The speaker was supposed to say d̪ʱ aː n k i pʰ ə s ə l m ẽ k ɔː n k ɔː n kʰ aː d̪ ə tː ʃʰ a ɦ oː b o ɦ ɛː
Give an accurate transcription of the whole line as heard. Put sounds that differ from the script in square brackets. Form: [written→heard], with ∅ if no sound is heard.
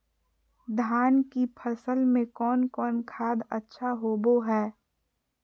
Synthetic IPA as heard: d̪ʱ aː n k i pʰ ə s ə l m ẽ k ɔː n k ɔː n kʰ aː d̪ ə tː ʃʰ a ɦ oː b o ɦ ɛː

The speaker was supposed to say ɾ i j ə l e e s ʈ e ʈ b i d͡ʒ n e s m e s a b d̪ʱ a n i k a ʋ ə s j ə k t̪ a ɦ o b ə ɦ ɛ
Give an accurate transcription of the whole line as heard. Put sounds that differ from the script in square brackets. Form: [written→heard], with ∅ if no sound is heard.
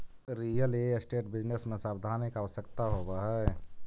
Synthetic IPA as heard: ɾ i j ə l e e s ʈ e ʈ b i d͡ʒ n e s m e s a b d̪ʱ a n i k a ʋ ə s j ə k t̪ a ɦ o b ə ɦ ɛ

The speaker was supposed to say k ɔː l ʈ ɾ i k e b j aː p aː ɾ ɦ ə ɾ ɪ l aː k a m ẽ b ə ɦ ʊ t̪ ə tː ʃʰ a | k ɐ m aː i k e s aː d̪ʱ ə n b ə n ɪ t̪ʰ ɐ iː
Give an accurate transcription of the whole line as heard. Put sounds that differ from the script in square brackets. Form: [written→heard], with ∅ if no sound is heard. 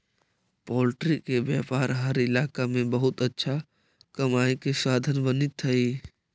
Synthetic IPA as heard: [k→p] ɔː l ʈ ɾ i k e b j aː p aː ɾ ɦ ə ɾ ɪ l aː k a m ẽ b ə ɦ ʊ t̪ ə tː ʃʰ a | k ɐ m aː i k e s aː d̪ʱ ə n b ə n ɪ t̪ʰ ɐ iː

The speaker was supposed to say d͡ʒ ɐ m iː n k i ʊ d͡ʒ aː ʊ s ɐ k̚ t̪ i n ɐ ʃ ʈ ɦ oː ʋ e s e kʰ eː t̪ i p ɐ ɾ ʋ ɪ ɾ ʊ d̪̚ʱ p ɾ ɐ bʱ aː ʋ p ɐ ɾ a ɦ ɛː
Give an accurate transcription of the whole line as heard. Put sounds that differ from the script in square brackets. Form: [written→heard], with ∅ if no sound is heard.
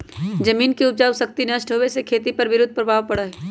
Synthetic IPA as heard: d͡ʒ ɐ m iː n k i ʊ d͡ʒ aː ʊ s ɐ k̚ t̪ i n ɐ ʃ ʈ ɦ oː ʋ e s e kʰ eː t̪ i p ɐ ɾ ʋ ɪ ɾ ʊ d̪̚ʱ p ɾ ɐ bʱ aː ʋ p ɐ [ɾ→ɽ] a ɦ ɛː

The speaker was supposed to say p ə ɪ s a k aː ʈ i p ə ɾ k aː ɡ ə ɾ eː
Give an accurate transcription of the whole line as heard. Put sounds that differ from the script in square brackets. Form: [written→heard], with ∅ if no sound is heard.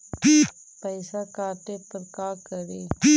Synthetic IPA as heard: p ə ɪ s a k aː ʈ [i→e] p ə ɾ k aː [ɡ→k] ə ɾ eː

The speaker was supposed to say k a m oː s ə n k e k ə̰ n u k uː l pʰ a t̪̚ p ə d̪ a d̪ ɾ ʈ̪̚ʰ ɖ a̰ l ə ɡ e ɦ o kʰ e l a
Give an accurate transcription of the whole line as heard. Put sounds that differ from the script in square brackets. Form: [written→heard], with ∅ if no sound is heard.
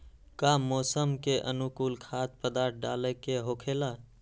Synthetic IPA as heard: k a m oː s ə [n→m] k e [k→ʔ] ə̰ n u k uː l [pʰ→kʰ] a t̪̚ p ə d̪ a [d̪→∅] ɾ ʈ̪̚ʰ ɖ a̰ l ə [ɡ→k] e ɦ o kʰ e l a

